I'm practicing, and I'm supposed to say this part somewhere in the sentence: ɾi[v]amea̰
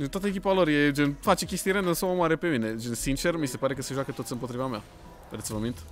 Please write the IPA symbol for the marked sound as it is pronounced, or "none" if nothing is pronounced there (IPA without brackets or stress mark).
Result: v